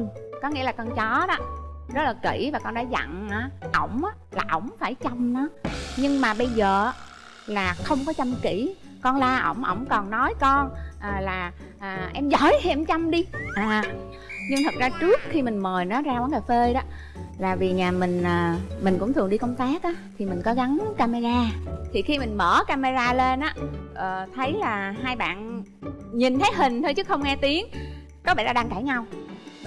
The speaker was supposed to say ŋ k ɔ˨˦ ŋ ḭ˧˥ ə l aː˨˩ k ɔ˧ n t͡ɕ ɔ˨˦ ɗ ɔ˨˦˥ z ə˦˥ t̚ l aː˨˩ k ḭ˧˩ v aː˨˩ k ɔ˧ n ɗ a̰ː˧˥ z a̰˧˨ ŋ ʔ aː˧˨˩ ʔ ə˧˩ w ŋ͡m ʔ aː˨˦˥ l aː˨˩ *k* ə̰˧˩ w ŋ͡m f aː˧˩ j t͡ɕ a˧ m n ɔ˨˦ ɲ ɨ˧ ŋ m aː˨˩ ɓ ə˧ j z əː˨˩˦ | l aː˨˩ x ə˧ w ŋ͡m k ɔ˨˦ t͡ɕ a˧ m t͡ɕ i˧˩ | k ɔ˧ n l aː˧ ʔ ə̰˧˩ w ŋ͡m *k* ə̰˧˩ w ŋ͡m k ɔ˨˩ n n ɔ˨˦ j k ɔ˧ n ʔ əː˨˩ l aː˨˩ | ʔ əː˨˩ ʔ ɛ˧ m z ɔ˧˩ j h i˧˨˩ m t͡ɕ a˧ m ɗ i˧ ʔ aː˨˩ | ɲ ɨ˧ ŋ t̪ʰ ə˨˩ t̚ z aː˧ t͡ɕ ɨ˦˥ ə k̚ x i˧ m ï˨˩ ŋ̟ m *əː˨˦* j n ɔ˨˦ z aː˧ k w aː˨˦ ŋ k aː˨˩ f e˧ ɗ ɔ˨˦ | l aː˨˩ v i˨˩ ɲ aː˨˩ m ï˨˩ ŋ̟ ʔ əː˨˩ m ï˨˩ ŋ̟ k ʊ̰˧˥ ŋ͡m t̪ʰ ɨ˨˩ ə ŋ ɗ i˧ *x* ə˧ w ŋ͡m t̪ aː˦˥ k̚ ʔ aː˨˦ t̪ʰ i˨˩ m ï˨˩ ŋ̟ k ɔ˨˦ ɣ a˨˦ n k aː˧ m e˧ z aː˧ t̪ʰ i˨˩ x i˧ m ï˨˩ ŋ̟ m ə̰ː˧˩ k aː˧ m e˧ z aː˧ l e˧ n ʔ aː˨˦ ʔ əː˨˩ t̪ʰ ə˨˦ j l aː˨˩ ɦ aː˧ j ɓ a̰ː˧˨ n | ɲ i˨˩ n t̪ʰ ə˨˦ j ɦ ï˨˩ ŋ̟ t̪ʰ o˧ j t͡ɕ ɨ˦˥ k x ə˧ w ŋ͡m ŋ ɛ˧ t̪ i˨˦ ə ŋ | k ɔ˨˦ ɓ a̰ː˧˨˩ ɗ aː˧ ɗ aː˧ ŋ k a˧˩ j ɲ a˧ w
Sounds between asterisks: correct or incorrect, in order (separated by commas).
incorrect, incorrect, incorrect, incorrect